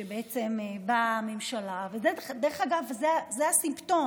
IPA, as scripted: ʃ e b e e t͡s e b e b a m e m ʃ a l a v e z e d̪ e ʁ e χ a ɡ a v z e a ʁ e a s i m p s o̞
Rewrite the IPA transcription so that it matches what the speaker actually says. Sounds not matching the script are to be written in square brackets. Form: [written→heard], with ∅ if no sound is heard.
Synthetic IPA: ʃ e b e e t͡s e [b→m] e b a m e m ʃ a l a v e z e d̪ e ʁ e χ a ɡ a v z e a [ʁ→z] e a s i m p [s→t] o̞